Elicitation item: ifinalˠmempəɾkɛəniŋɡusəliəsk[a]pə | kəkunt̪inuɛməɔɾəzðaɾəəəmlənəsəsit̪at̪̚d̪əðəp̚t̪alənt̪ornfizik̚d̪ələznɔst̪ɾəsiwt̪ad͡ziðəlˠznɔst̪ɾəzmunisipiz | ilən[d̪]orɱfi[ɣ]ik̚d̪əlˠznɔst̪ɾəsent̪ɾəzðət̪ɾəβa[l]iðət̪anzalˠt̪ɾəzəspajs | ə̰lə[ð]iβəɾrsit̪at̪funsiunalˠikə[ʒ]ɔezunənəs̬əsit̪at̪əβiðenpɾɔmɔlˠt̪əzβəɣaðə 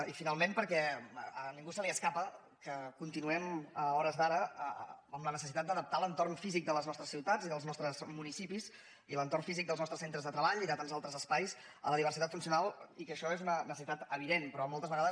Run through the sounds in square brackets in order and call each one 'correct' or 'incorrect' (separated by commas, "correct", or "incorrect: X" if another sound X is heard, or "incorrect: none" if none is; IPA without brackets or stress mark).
correct, incorrect: t̪, incorrect: z, incorrect: ʎ, correct, incorrect: ʃ